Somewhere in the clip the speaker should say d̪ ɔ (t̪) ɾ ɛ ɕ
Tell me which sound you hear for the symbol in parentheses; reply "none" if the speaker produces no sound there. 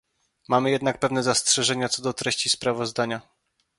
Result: t̪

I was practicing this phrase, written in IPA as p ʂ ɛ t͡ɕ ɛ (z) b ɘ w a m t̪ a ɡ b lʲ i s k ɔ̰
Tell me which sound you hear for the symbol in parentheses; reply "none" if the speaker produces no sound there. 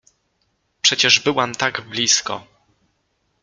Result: ʐ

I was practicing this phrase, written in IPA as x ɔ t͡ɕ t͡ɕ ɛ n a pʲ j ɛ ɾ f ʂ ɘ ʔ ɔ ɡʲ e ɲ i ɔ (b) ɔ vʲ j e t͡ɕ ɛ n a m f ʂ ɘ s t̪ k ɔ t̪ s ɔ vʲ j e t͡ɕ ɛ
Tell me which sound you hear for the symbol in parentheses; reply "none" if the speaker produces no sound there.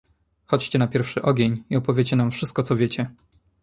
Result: p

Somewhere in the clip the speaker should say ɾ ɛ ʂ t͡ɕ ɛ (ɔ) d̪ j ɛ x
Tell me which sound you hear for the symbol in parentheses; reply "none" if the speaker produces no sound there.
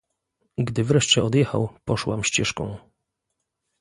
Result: ɔ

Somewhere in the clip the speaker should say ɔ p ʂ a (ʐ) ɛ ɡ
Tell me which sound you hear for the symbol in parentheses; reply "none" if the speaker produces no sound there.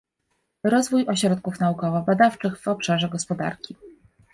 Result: ʐ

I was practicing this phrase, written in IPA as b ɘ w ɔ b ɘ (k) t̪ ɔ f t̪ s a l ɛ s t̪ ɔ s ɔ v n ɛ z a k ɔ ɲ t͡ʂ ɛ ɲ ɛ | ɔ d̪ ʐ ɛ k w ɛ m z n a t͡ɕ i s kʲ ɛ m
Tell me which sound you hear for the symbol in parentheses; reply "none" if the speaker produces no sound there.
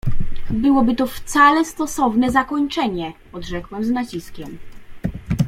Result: none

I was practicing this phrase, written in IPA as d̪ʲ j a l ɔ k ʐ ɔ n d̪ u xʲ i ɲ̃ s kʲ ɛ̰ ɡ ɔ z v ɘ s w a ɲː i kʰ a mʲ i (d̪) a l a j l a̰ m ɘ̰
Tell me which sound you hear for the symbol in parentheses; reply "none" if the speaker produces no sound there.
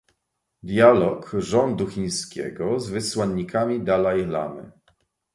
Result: d̪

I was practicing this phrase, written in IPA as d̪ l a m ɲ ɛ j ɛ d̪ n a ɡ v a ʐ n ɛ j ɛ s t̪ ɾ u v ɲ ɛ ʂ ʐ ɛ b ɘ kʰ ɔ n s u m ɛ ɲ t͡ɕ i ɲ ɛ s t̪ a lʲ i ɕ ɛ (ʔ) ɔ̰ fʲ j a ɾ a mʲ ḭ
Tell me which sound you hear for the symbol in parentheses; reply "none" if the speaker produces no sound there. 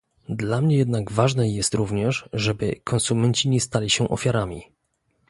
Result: ʔ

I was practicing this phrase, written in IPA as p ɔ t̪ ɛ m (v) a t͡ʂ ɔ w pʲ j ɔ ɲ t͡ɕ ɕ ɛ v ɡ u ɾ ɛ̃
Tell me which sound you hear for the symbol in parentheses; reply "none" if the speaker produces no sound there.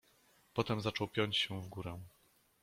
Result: z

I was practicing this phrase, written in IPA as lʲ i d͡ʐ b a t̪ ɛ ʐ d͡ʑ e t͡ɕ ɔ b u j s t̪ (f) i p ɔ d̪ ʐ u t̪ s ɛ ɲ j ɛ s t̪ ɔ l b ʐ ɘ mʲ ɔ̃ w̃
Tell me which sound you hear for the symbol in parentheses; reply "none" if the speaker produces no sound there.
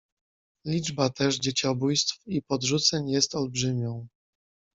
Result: f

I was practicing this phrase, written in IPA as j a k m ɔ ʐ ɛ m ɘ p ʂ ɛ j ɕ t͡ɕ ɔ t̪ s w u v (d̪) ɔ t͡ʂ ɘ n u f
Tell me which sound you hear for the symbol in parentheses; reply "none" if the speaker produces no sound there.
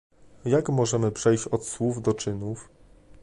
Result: d̪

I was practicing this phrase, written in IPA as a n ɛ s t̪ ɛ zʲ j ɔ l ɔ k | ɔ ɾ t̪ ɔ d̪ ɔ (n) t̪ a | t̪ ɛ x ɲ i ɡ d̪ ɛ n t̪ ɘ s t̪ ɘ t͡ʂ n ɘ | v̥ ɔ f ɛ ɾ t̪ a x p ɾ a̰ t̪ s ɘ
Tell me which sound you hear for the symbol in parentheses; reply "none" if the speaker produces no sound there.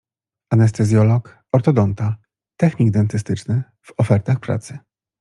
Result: n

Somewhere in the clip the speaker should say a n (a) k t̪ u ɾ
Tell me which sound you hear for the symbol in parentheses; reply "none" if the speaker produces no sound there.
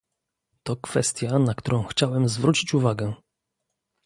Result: a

